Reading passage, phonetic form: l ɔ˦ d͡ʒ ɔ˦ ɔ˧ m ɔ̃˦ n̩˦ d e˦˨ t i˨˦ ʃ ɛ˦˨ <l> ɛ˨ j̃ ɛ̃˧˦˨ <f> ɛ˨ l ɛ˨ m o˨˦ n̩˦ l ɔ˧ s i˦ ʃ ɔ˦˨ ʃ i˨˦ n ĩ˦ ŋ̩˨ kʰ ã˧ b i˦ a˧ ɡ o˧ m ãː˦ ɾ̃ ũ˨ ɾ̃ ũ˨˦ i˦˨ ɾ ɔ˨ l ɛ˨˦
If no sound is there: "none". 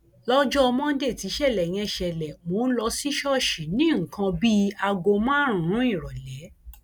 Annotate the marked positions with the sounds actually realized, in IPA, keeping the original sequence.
l, ʃ

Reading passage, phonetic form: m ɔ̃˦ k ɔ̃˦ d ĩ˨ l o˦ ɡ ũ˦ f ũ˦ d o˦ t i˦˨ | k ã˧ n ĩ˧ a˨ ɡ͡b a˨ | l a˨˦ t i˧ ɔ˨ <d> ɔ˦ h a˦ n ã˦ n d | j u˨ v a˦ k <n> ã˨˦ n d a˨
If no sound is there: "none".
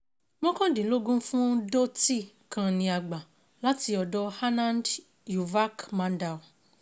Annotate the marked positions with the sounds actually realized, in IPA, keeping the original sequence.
d, m

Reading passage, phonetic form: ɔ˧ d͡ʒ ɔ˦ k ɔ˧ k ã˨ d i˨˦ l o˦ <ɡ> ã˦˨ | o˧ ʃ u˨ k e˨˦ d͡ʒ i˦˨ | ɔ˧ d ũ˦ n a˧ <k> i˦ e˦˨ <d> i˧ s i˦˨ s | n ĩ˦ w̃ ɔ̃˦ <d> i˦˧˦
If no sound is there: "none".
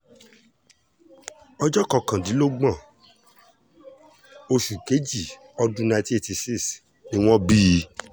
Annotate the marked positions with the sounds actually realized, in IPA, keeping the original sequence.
ɡ͡b, t, t, b

